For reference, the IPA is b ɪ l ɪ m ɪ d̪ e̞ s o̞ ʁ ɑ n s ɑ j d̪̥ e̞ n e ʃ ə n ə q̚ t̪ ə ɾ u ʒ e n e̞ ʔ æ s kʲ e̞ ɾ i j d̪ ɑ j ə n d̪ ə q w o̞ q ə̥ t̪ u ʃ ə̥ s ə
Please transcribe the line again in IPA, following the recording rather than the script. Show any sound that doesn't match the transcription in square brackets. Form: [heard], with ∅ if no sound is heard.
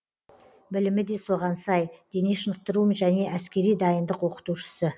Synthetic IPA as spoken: b ɪ l ɪ m ɪ d̪ e̞ s o̞ ʁ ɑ n s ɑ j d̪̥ e̞ n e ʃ ə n ə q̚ t̪ ə ɾ u ʒ [æ] n e̞ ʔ æ s kʲ e̞ ɾ i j d̪ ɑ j ə n d̪ ə q w o̞ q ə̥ t̪ u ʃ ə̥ s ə

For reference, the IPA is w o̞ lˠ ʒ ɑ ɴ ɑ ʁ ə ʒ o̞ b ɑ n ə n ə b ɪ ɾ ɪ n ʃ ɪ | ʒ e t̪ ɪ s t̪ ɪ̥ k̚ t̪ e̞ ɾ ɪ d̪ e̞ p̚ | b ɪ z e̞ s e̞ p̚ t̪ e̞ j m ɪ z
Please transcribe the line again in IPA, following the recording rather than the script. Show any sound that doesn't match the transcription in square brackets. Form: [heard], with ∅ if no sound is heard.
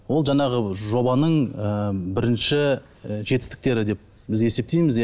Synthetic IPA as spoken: w o̞ lˠ ʒ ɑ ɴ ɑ ʁ ə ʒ o̞ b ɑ n ə [ɴ] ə b ɪ ɾ ɪ n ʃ ɪ | ʒ e t̪ ɪ s t̪ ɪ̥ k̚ t̪ e̞ ɾ ɪ d̪ e̞ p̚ | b ɪ z e̞ s e̞ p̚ t̪ e̞ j m ɪ z

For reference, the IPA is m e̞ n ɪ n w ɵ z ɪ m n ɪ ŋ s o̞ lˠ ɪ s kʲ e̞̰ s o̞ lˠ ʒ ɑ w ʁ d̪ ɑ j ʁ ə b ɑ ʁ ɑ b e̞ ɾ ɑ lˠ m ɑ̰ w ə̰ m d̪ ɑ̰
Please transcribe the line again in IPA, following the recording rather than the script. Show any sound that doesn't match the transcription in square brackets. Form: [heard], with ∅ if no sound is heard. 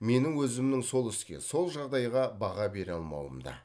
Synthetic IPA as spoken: m e̞ n ɪ [ŋ] w ɵ z ɪ m n ɪ ŋ s o̞ lˠ ɪ s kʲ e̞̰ s o̞ lˠ ʒ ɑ [∅] ʁ d̪ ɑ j ʁ [ɑ] b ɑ ʁ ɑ b e̞ ɾ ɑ lˠ m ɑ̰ w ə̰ m d̪ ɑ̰

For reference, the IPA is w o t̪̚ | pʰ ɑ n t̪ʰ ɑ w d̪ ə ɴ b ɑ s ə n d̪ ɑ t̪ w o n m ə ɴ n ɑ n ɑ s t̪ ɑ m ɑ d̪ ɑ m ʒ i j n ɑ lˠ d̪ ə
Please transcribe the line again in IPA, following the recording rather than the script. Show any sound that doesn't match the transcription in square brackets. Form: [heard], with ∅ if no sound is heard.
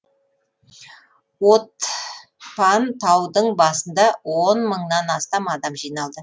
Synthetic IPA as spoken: w o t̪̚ | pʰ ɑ n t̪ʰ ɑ w d̪ ə ɴ b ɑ s ə n d̪ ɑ [∅] w o n m ə ɴ n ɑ n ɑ s t̪ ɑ m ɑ d̪ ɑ m ʒ i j n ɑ lˠ d̪ ə

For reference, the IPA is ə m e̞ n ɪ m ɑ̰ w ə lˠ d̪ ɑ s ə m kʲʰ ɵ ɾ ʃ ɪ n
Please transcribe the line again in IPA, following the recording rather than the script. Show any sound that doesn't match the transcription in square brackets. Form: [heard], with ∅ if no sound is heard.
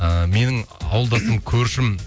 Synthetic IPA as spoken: ə m e̞ n ɪ [ŋ] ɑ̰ w ə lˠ d̪ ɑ s ə m kʲʰ ɵ ɾ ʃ ɪ [m]

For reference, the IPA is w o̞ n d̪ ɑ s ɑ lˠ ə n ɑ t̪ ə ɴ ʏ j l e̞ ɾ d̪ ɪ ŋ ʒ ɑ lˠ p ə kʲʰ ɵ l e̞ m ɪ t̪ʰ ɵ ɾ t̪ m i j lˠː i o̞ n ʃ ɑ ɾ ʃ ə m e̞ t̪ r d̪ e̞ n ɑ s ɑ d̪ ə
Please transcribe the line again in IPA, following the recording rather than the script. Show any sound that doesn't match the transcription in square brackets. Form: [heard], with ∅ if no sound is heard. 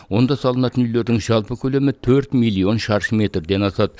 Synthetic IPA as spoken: w o̞ n d̪ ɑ s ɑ lˠ ə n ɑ t̪ ə [n] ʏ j l e̞ ɾ d̪ ɪ ŋ ʒ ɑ lˠ p ə kʲʰ ɵ l e̞ m ɪ t̪ʰ ɵ ɾ t̪ m i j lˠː i o̞ n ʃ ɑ ɾ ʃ ə m e̞ t̪ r d̪ e̞ n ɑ s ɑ d̪ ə

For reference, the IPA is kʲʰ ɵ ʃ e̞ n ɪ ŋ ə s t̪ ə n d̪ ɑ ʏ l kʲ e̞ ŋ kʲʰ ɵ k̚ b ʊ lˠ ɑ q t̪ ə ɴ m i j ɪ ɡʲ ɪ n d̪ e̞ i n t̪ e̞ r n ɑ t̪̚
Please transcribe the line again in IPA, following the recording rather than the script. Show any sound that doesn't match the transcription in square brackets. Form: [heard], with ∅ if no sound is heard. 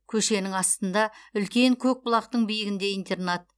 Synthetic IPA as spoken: kʲʰ ɵ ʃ e̞ n ɪ ŋ [ɑ] s t̪ ə n d̪ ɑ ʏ l kʲ e̞ ŋ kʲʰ ɵ k̚ b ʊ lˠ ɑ q t̪ ə ɴ [b] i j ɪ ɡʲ ɪ n d̪ e̞ i n t̪ e̞ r n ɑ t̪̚

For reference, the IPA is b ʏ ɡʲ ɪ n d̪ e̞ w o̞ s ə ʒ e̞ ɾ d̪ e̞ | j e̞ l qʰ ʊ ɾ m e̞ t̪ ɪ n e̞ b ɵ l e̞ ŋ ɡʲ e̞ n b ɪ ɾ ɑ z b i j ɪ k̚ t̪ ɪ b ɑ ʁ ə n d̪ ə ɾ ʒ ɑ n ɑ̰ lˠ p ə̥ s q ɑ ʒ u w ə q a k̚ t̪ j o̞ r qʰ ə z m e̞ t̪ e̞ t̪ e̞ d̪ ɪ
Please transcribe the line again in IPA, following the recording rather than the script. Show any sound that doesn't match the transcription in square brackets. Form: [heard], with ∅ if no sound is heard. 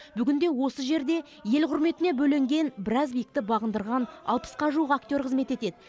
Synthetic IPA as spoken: b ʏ ɡʲ ɪ n d̪ e̞ w o̞ s ə ʒ e̞ ɾ d̪ e̞ | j e̞ l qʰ ʊ ɾ m e̞ t̪ ɪ n e̞ b ɵ l e̞ ŋ ɡʲ e̞ n b ɪ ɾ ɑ z b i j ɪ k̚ t̪ ɪ b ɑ ʁ ə n d̪ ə ɾ [ʁ] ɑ n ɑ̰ lˠ p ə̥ s q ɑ ʒ u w ə q a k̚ t̪ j o̞ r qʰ ə z m e̞ t̪ e̞ t̪ e̞ d̪ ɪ

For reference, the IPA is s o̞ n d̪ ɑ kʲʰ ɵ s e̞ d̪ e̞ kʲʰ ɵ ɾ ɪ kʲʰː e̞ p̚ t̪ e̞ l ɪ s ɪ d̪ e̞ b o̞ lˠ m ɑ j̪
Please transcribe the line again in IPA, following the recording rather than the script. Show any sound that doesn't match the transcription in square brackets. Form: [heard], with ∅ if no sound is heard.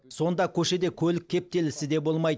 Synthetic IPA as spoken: s o̞ n d̪ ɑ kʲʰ ɵ [ʃ] e̞ d̪ e̞ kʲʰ ɵ [l] ɪ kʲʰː e̞ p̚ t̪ e̞ l ɪ s ɪ d̪ e̞ b o̞ lˠ m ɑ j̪

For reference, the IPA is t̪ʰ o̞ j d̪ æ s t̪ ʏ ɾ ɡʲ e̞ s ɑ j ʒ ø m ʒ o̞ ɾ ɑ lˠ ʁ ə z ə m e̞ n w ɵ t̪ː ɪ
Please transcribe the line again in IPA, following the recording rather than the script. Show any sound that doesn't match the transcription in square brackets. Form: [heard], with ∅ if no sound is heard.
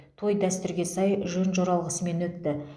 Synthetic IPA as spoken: t̪ʰ o̞ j d̪ æ s t̪ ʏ ɾ ɡʲ e̞ s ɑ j ʒ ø [n] ʒ o̞ ɾ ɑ lˠ ʁ ə [s] ə m e̞ n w ɵ t̪ː ɪ

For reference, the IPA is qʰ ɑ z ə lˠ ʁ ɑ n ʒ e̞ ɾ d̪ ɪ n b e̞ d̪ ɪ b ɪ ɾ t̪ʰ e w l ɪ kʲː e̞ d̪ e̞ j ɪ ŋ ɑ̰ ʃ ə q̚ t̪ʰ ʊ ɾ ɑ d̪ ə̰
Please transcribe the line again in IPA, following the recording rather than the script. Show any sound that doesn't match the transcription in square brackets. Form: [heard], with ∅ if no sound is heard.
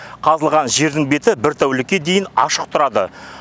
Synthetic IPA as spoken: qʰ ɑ z ə lˠ ʁ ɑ n ʒ e̞ ɾ d̪ ɪ [ŋ] b e̞ [t̪] ɪ b ɪ ɾ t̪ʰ [æ] w l ɪ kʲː e̞ d̪ e̞ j ɪ [n] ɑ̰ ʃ ə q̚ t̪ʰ ʊ ɾ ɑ d̪ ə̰

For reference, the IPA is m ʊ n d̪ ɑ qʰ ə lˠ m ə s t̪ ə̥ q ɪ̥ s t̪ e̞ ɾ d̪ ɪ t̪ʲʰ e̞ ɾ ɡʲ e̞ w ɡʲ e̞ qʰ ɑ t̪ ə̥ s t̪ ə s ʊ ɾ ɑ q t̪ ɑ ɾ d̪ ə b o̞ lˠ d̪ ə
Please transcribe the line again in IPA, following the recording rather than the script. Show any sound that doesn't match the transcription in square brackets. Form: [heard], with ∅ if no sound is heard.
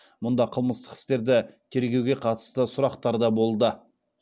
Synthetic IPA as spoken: m ʊ n d̪ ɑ qʰ ə lˠ m ə s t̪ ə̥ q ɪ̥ s t̪ e̞ ɾ d̪ ɪ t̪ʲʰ e̞ ɾ ɡʲ e̞ w ɡʲ e̞ qʰ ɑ t̪ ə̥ s t̪ ə s ʊ ɾ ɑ q t̪ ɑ ɾ d̪ [ɑ] b o̞ lˠ d̪ ə

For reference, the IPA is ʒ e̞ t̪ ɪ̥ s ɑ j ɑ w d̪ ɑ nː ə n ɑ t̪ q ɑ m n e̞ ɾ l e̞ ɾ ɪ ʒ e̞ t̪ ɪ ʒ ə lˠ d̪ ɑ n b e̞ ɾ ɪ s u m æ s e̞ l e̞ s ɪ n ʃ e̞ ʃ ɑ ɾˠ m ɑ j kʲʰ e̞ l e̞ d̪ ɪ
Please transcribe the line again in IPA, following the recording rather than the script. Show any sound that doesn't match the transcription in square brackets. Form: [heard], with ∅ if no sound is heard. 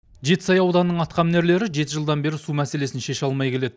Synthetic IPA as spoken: ʒ e̞ t̪ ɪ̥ s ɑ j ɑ w d̪ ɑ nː ə [ɴ] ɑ t̪ q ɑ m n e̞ ɾ l e̞ ɾ ɪ ʒ e̞ t̪ ɪ ʒ ə lˠ d̪ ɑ n b e̞ ɾ ɪ s u m æ s e̞ l e̞ s ɪ n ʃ e̞ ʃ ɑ [lˠ] m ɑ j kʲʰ e̞ l e̞ d̪ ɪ

